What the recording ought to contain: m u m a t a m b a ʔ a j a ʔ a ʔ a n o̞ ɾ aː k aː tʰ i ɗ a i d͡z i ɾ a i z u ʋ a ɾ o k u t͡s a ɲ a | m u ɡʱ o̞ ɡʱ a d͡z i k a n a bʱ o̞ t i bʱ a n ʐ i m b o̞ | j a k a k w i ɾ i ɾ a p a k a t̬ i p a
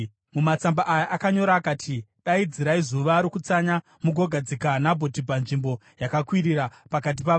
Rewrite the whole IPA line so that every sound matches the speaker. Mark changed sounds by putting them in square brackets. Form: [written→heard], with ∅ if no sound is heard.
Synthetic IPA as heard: m u m a [t→t͡s] a m b a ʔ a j a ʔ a [ʔ→k] a [n→ɲ] o̞ ɾ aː k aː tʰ i ɗ a i d͡z i ɾ a i z u ʋ a ɾ o k u t͡s a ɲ a | m u ɡʱ o̞ ɡʱ a d͡z i k a n a bʱ o̞ t i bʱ a n ʐ i m b o̞ | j a k a k w i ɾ i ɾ a p a k a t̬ i p a

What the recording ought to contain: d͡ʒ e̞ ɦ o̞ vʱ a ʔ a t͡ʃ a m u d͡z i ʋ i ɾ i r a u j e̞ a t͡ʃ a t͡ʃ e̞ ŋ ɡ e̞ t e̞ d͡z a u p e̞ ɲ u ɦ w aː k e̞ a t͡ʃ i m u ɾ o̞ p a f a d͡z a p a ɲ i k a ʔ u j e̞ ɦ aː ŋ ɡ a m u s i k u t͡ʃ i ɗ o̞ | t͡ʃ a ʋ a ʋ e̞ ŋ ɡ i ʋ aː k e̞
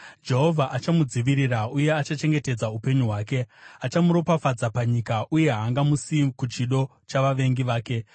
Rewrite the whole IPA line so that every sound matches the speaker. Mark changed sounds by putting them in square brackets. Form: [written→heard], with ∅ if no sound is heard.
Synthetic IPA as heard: d͡ʒ e̞ ɦ o̞ vʱ a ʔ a t͡ʃ a m u d͡z i ʋ i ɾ i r a u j e̞ a t͡ʃ a t͡ʃ e̞ ŋ ɡ e̞ t e̞ d͡z a u p e̞ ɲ u ɦ w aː k e̞ a t͡ʃ [i→a] m u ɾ o̞ p a f a d͡z a p a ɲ i k a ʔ u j e̞ ɦ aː ŋ ɡ a m u s i k u t͡ʃ i ɗ o̞ | t͡ʃ a ʋ a ʋ e̞ ŋ ɡ i ʋ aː k e̞

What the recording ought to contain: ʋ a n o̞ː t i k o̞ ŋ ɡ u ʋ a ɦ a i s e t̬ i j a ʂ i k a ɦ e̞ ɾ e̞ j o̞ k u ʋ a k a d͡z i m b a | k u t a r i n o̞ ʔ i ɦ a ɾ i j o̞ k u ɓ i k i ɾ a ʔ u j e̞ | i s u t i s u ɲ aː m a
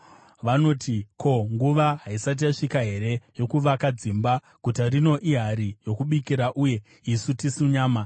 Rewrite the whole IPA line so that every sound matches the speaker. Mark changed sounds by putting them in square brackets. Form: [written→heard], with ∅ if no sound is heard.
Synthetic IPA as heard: ʋ a n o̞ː t i k o̞ ŋ ɡ u ʋ a ɦ a i s [e→a] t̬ i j a ʂ i k a ɦ e̞ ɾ e̞ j o̞ k u ʋ a k a d͡z i m b a | k u t a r i n o̞ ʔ i ɦ a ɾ i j o̞ k u ɓ i k i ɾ a ʔ u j e̞ | i s u t i s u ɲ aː m a

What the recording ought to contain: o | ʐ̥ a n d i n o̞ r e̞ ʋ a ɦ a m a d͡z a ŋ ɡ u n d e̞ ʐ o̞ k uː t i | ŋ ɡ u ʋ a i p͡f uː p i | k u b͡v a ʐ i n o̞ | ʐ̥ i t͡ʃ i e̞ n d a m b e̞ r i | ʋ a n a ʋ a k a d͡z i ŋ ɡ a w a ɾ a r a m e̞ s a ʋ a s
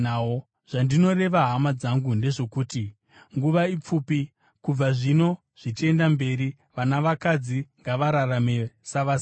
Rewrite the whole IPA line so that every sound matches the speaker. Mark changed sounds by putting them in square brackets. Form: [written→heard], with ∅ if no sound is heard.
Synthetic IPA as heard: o | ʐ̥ a n d i n o̞ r e̞ ʋ a ɦ a m a d͡z a ŋ ɡ u n d e̞ ʐ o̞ k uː t i | ŋ ɡ u ʋ a i p͡f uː p i | k u b͡v a ʐ i n o̞ | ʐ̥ i t͡ʃ i e̞ n d a m b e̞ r i | ʋ a n a ʋ a k a d͡z i ŋ ɡ a [w→ʋ] a ɾ a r a m e̞ s a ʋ a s

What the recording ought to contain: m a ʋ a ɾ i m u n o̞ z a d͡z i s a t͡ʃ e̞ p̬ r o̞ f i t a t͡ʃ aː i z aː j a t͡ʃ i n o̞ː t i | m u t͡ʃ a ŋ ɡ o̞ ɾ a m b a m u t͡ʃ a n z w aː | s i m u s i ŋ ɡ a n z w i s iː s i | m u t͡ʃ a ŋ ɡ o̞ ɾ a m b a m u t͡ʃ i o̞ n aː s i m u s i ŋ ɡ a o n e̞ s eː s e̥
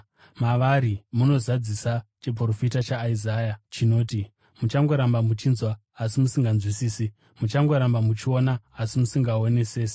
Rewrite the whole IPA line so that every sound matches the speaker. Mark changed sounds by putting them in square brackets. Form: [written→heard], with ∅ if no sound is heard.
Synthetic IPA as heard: m a ʋ a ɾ i m u n o̞ z a d͡z i s a t͡ʃ e̞ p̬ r o̞ f i t a t͡ʃ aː i z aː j a t͡ʃ i n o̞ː t i | m u t͡ʃ a ŋ ɡ o̞ ɾ a m b a m u t͡ʃ [a→i] n z w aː | s i m u s i ŋ ɡ a n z w i s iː s i | m u t͡ʃ a ŋ ɡ o̞ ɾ a m b a m u t͡ʃ i o̞ n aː s i m u s i ŋ ɡ a o n e̞ s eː s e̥

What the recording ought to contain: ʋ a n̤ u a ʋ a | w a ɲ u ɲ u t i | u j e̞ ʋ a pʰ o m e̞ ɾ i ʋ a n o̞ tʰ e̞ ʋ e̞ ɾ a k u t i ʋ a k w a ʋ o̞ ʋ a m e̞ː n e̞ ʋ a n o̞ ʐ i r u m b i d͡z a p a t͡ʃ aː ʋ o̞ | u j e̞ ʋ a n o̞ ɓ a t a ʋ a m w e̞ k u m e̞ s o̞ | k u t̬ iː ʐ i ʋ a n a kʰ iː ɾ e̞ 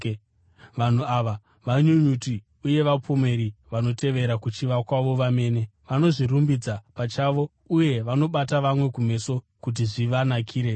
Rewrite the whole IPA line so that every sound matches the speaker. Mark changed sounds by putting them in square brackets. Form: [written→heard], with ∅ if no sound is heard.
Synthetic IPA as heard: ʋ a n̤ u a ʋ a | [w→ʋ] a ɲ u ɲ u t i | u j e̞ ʋ a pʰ o m e̞ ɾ i ʋ a n o̞ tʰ e̞ ʋ e̞ ɾ a k u [t→t͡ʃ] i ʋ a k w a ʋ o̞ ʋ a m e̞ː n e̞ ʋ a n o̞ ʐ i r u m b i d͡z a p a t͡ʃ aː ʋ o̞ | u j e̞ ʋ a n o̞ ɓ a t a ʋ a m w e̞ k u m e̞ s o̞ | k u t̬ [iː→i] ʐ i ʋ a n a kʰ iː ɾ e̞

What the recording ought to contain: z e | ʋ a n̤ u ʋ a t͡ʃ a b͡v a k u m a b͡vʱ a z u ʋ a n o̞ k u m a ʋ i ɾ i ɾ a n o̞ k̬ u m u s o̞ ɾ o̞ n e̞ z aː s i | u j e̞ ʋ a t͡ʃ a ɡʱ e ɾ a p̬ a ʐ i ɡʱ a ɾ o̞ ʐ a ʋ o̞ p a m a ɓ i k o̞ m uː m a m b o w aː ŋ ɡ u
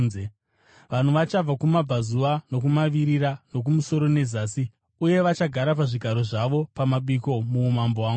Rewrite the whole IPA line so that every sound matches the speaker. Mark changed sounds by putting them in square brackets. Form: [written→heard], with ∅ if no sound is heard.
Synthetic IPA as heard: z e | ʋ a n̤ u ʋ a t͡ʃ a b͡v a k u m a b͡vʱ a z u ʋ a n o̞ k u m a ʋ i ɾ i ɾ a n o̞ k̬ u m u s o̞ ɾ o̞ n e̞ z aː s i | u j e̞ ʋ a t͡ʃ a ɡʱ [e→a] ɾ a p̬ a ʐ i ɡʱ a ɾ o̞ ʐ a ʋ o̞ p a m a ɓ i k o̞ m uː m a m b o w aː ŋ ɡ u

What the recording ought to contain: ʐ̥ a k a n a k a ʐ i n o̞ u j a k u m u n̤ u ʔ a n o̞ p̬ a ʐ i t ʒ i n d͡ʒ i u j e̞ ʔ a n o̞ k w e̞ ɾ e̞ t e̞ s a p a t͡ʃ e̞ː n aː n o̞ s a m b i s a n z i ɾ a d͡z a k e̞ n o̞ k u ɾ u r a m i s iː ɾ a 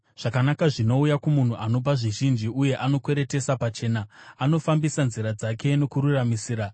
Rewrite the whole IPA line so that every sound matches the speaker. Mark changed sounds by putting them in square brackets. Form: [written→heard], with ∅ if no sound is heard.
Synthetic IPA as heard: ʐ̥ a k a n a k a ʐ i n o̞ u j a k u m u n̤ u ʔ a n o̞ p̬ a ʐ i [t→∅] ʒ i n d͡ʒ i u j e̞ ʔ a n o̞ k w e̞ ɾ e̞ t e̞ s a p a t͡ʃ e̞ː n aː n o̞ [s→f] a m b i s a n z i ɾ a d͡z a k e̞ n o̞ k u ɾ u r a m i s iː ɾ a

